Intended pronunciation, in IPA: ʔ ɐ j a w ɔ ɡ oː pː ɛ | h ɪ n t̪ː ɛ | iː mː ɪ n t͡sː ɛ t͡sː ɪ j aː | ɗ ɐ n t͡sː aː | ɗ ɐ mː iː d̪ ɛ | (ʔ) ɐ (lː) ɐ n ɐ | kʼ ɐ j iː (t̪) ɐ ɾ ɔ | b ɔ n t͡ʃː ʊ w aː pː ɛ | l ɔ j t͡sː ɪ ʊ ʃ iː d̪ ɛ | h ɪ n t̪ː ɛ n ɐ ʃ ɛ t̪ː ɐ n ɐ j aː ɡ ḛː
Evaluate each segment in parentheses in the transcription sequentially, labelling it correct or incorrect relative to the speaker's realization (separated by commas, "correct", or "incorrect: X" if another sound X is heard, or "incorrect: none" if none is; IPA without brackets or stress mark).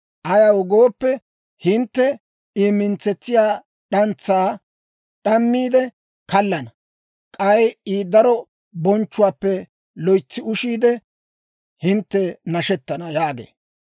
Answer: incorrect: k, correct, incorrect: d̪